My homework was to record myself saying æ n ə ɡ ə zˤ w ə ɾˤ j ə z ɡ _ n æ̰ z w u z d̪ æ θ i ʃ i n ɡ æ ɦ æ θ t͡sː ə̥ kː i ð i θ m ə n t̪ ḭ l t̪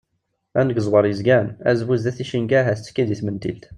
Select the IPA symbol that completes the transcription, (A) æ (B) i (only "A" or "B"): A